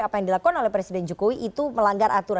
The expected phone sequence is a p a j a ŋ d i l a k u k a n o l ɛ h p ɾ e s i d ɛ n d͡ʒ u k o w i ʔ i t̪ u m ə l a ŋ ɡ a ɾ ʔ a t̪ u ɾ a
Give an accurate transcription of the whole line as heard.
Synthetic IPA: a p a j a ŋ d i l a k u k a n o l ɛ h p ɾ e s i d ɛ n d͡ʒ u k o w i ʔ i t̪ u m ə l a ŋ ɡ a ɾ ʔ a t̪ u ɾ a